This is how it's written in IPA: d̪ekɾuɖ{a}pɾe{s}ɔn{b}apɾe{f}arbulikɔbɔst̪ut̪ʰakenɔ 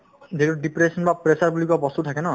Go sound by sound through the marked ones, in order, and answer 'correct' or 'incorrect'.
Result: incorrect, correct, correct, incorrect

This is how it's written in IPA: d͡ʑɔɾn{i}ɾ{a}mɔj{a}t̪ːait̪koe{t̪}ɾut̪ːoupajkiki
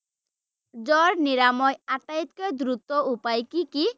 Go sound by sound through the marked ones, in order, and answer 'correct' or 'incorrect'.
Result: correct, correct, correct, incorrect

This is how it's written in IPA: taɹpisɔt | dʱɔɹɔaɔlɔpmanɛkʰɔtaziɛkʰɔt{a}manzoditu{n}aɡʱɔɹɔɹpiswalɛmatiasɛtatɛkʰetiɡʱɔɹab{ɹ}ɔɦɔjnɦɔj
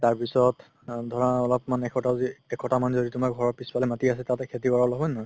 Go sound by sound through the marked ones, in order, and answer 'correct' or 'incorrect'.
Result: correct, incorrect, incorrect

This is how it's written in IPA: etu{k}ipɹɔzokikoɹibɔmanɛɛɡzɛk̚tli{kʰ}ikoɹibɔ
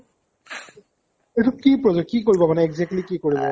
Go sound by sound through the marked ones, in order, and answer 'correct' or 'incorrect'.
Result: correct, incorrect

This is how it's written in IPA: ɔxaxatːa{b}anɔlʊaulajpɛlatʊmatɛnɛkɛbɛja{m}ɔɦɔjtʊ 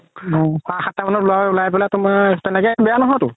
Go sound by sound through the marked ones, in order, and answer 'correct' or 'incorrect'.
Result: incorrect, incorrect

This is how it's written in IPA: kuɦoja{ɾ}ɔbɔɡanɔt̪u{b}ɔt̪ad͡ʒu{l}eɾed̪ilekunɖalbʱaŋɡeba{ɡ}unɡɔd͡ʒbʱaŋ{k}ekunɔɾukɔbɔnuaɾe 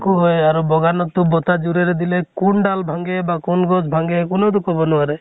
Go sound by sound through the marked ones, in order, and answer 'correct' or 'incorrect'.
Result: correct, correct, incorrect, incorrect, incorrect

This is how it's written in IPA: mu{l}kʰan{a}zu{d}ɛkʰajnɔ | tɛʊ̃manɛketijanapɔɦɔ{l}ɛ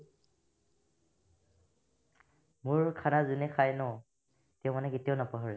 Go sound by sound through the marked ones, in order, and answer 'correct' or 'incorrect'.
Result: incorrect, correct, incorrect, incorrect

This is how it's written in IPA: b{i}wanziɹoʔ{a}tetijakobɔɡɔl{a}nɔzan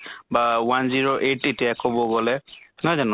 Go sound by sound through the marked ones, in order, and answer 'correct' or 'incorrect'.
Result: incorrect, incorrect, incorrect

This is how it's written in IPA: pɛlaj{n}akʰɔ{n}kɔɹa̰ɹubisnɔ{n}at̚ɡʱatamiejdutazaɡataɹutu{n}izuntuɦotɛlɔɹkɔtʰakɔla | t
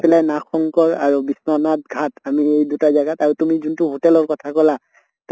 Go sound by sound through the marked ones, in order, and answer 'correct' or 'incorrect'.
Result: correct, incorrect, correct, incorrect

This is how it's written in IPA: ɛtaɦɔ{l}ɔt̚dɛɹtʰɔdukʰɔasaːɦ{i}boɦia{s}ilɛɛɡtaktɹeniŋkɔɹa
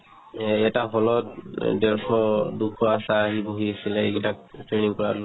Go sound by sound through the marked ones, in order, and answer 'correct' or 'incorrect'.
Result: correct, correct, correct

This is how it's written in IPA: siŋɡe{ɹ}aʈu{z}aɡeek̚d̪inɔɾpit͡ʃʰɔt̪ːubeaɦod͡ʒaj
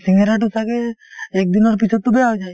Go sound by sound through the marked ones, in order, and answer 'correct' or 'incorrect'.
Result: incorrect, incorrect

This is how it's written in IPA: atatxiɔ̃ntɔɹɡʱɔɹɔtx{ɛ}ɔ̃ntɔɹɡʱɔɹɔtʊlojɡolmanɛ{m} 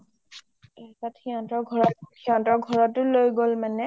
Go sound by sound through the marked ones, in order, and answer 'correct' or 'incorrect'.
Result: incorrect, incorrect

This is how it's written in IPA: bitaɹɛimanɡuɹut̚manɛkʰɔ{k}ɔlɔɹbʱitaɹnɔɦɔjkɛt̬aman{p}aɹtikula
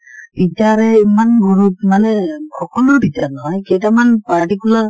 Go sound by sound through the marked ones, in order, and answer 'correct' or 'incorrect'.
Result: correct, correct

